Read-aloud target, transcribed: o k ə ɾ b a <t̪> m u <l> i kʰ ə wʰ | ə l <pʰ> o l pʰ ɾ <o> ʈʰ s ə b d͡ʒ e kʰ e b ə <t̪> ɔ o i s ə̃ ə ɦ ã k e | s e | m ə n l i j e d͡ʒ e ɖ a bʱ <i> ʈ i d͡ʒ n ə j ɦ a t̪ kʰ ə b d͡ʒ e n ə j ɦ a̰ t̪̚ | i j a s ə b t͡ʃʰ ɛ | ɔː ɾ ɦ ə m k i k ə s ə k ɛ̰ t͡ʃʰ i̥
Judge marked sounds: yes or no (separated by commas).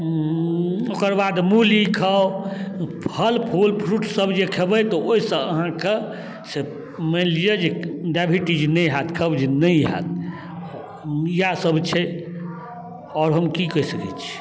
no, yes, yes, no, yes, yes